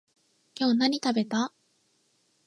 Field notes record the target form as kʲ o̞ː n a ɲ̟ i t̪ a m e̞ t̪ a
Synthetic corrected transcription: kʲ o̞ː n a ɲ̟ i t̪ a b e̞ t̪ a